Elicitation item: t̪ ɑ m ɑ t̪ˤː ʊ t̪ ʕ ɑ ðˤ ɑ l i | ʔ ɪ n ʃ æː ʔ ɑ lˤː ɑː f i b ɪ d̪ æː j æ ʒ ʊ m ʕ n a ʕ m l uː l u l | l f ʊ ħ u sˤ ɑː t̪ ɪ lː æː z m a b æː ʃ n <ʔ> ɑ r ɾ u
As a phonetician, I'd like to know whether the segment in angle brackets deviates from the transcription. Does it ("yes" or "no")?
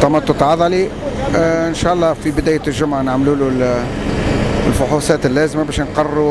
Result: yes